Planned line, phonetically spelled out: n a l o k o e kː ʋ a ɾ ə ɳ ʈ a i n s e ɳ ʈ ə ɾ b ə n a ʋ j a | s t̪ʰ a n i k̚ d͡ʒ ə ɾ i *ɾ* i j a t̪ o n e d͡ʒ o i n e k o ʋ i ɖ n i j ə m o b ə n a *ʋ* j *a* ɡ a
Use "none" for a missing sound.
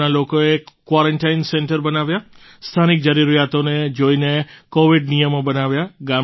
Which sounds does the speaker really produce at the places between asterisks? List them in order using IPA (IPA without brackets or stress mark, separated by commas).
ɾ, ʋ, a